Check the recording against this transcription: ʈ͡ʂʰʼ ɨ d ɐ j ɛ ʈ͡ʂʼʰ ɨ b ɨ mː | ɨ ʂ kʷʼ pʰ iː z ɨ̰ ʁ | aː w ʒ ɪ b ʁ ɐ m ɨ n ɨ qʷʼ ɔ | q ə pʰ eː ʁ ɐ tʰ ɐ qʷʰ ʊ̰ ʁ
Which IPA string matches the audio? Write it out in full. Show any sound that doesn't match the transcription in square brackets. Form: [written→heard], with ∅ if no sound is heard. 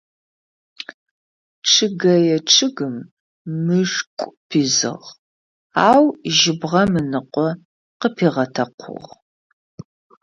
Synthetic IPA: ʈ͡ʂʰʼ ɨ [d→ɡ] ɐ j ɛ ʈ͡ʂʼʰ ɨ [b→ɡ] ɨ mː | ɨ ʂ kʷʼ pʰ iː z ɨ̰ ʁ | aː w ʒ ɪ b ʁ ɐ m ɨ n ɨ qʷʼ ɔ | q ə pʰ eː ʁ ɐ tʰ ɐ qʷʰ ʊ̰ ʁ